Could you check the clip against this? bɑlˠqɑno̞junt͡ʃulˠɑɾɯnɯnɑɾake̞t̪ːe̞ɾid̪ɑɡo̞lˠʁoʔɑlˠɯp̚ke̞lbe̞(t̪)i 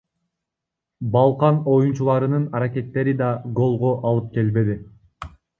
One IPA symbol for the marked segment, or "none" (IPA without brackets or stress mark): d̪